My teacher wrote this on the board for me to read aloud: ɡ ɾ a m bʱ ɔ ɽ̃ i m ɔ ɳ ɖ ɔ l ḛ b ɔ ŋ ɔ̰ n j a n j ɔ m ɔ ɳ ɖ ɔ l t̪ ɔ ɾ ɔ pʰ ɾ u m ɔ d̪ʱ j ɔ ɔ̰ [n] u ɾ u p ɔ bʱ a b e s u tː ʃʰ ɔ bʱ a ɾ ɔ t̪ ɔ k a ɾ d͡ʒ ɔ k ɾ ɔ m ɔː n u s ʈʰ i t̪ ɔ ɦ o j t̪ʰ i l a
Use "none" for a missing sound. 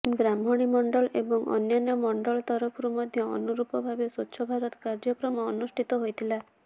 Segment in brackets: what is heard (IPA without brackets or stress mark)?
n